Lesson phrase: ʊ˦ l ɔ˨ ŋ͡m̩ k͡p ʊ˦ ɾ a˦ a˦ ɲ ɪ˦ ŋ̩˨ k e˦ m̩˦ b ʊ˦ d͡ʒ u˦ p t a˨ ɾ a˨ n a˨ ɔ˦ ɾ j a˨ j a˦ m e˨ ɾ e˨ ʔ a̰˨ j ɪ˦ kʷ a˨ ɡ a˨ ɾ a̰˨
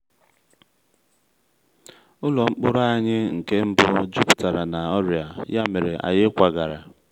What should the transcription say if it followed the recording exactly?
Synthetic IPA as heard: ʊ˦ l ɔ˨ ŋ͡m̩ k͡p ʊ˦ ɾ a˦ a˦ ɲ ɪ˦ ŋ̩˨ k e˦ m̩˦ b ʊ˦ d͡ʒ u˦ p t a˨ ɾ a˨ n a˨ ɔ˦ ɾ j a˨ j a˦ m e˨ ɾ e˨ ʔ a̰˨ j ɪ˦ kʷ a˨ ɡ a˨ ɾ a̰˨